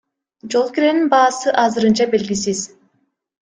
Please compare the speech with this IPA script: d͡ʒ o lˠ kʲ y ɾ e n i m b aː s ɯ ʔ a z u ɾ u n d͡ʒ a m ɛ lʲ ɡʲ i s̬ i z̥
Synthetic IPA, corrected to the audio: d͡ʒ o lˠ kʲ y ɾ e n i n b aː s ɯ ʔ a z ɯ ɾ ɯ n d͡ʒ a b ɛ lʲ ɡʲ i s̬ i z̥